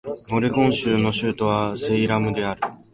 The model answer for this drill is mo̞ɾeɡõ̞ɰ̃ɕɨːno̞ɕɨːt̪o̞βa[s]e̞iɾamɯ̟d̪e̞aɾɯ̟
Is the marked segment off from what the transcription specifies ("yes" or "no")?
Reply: no